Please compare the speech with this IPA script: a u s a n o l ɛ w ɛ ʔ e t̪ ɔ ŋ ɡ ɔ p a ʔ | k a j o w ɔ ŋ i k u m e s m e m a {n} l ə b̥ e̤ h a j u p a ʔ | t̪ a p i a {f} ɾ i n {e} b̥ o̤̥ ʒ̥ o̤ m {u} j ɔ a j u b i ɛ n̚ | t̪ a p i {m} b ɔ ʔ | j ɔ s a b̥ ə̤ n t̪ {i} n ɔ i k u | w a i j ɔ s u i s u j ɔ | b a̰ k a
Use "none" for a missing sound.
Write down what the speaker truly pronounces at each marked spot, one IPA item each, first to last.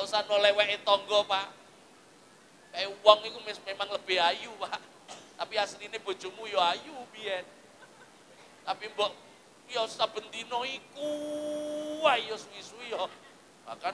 ŋ, s, e, u, m, i

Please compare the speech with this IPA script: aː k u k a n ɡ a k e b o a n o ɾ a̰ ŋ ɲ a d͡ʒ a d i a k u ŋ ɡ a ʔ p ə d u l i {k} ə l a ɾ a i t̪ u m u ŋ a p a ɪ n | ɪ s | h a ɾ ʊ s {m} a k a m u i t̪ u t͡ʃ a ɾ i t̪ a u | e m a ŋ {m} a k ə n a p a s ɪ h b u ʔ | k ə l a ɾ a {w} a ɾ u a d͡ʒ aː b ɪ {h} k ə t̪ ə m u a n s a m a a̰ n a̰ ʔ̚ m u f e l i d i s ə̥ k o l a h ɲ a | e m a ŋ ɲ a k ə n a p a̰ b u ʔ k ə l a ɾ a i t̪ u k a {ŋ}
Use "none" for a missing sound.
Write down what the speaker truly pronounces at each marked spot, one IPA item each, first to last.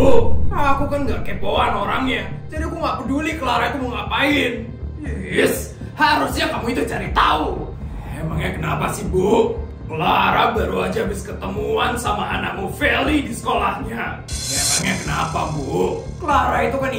k, ɲ, ɲ, b, s, n

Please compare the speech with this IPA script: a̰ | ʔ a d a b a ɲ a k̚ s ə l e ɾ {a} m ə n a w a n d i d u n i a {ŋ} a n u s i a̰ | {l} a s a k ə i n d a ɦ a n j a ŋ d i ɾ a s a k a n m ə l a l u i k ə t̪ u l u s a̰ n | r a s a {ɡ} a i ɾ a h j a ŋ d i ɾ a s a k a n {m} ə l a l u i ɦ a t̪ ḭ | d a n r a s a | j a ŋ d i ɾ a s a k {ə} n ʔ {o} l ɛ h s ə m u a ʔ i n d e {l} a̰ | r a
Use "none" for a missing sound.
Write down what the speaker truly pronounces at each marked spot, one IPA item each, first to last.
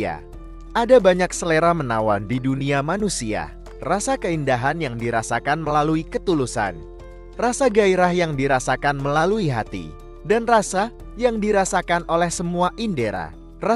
a, m, r, ɡ, m, a, o, ɾ

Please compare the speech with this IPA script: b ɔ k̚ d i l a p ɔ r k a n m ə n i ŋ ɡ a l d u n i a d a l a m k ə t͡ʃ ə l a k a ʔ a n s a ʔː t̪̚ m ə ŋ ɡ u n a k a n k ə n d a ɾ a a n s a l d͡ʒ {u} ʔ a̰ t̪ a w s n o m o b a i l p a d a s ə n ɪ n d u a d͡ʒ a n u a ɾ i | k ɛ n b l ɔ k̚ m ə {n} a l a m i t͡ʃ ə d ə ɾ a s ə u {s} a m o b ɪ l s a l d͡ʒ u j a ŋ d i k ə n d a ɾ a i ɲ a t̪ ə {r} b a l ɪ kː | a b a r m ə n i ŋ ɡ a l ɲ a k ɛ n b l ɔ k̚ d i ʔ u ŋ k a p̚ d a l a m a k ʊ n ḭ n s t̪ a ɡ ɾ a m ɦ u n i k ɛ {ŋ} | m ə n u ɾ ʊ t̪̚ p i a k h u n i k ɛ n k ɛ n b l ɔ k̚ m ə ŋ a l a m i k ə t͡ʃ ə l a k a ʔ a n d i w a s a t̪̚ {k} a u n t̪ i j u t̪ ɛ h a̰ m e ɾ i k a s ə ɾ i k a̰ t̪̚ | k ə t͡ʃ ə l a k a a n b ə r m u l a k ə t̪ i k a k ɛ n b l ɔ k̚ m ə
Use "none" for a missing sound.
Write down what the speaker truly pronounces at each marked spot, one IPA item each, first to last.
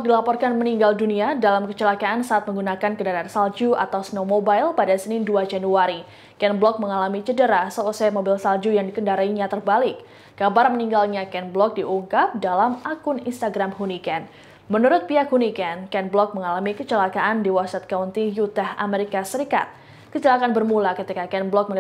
u, ŋ, s, r, n, k

